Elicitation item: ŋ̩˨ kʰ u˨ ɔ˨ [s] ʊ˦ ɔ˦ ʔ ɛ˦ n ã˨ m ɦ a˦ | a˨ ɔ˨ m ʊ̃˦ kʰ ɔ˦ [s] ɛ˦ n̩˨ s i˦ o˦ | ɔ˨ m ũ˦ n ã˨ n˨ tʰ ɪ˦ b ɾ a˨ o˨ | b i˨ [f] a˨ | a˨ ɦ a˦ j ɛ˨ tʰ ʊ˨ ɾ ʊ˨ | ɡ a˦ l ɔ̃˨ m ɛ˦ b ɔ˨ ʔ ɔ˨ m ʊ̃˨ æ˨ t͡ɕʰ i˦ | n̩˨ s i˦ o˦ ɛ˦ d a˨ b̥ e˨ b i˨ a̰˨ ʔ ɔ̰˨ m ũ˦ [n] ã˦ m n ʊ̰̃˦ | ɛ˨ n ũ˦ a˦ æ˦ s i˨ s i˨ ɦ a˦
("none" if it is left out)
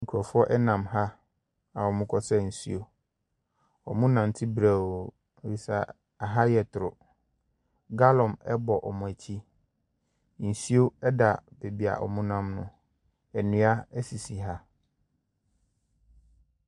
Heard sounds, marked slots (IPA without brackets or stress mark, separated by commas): f, s, s, n